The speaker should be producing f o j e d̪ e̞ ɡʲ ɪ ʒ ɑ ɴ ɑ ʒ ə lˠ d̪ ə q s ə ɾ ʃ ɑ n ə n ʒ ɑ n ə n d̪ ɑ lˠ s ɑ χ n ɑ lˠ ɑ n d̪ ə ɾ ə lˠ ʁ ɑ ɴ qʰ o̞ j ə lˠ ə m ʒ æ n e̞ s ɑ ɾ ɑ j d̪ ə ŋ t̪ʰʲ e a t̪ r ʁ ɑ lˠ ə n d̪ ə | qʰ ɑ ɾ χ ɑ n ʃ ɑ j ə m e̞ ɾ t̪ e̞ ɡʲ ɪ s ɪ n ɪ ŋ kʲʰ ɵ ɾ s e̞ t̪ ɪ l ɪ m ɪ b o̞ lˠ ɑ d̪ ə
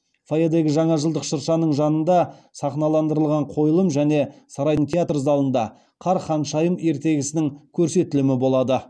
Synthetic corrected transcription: f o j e d̪ e̞ ɡʲ ɪ ʒ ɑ ɴ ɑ ʒ ə lˠ d̪ ə q ʃ ə ɾ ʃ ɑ n ə ɴ ʒ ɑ n ə n d̪ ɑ s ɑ χ n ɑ lˠ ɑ n d̪ ə ɾ ə lˠ ʁ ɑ ɴ qʰ o̞ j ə lˠ ə m ʒ æ n e̞ s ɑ ɾ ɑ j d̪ ə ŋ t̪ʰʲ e a t̪ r z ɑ lˠ ə n d̪ ɑ | qʰ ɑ ɾ χ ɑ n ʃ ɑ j ə m e̞ ɾ t̪ e̞ ɡʲ ɪ s ɪ n ɪ ŋ kʲʰ ɵ ɾ s e̞ t̪ ɪ l ɪ m ɪ b o̞ lˠ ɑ d̪ ə